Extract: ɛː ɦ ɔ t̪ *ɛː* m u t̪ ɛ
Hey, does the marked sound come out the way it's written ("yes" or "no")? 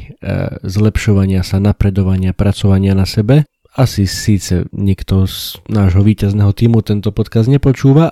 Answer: no